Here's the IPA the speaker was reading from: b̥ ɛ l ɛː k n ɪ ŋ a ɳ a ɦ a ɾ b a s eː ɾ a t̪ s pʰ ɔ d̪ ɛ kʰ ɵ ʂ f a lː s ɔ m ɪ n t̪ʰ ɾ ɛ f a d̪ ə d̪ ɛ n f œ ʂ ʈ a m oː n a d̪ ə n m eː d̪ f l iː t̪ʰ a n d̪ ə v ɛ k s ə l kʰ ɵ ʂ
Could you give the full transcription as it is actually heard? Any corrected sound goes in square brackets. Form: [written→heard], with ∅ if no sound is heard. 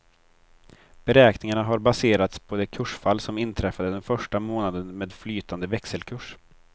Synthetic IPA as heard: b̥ ɛ [l→ɾ] ɛː k n ɪ ŋ a ɳ a ɦ a ɾ b a s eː ɾ a t̪ s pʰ ɔ d̪ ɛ kʰ ɵ ʂ f a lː s ɔ m ɪ n t̪ʰ ɾ ɛ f a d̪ ə d̪ ɛ n f œ ʂ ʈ a m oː n a d̪ ə n m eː d̪ f l [iː→yː] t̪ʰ a n d̪ ə v ɛ k s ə l kʰ ɵ ʂ